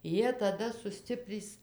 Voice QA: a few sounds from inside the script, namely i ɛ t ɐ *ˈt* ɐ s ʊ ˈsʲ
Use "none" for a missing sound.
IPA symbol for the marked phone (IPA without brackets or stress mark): d